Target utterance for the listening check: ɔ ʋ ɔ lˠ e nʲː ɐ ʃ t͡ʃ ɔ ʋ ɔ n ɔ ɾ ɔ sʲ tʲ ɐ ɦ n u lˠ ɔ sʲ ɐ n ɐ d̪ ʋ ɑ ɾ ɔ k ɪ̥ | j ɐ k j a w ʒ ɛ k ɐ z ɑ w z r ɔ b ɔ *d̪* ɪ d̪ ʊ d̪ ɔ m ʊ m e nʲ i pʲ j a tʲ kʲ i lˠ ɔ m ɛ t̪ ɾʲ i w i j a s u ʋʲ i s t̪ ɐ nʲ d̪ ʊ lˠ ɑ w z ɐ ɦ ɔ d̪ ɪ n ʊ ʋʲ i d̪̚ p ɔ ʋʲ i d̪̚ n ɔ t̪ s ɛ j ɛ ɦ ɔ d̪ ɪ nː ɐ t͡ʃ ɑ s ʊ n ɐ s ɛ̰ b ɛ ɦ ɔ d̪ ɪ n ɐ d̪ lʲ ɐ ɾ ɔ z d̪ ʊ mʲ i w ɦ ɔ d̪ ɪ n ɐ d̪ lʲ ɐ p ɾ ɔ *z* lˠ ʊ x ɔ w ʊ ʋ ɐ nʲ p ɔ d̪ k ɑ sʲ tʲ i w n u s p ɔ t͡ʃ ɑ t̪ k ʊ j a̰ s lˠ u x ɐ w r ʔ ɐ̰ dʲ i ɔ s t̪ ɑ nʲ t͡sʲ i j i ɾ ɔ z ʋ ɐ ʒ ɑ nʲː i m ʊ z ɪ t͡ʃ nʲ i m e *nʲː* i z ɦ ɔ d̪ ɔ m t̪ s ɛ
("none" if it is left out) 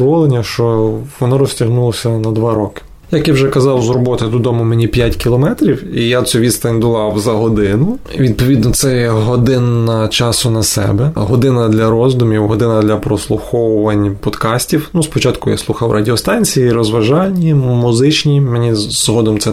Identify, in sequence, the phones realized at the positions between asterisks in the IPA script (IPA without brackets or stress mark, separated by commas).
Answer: t̪, s, nʲ